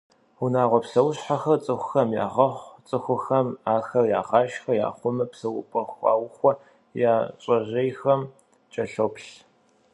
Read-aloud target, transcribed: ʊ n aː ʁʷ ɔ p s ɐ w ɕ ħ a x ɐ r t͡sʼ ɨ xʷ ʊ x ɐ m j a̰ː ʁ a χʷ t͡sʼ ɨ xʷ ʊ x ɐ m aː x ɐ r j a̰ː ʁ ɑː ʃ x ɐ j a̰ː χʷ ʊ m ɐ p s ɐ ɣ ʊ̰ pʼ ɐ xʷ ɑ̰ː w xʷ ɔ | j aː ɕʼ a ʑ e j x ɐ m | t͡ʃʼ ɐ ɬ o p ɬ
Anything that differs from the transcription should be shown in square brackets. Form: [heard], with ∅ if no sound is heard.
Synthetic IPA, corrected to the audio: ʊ n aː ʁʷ ɔ p s ɐ w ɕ ħ a x ɐ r t͡sʼ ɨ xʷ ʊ x ɐ m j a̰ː ʁ [ɐ] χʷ t͡sʼ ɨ xʷ ʊ x ɐ m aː x ɐ r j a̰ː ʁ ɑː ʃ x ɐ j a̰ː χʷ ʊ m ɐ p s ɐ [w] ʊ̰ pʼ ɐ xʷ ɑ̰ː w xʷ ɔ | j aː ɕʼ [ɐ] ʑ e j x ɐ m | t͡ʃʼ ɐ ɬ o p ɬ